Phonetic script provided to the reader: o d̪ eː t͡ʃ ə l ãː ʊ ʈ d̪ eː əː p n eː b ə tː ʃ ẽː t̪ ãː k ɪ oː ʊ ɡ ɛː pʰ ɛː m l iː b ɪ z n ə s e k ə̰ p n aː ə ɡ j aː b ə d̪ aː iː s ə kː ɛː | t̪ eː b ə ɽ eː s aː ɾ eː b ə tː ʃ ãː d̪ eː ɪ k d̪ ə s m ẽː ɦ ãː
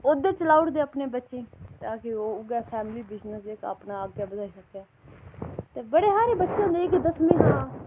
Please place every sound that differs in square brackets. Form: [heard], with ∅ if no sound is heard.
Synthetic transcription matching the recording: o d̪ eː t͡ʃ ə l [aː] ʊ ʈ d̪ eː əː p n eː b ə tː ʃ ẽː t̪ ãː k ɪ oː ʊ ɡ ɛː pʰ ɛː m l iː b ɪ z n ə s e k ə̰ p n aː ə ɡ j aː b ə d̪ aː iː s ə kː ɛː | t̪ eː b ə ɽ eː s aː ɾ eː b ə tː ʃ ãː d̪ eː ɪ k d̪ ə s m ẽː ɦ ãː